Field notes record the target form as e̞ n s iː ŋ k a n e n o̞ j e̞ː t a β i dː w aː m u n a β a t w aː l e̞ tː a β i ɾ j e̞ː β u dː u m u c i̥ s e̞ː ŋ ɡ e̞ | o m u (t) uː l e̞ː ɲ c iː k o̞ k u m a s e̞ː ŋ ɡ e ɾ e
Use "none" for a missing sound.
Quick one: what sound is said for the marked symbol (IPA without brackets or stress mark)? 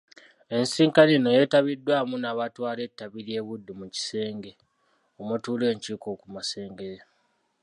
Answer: t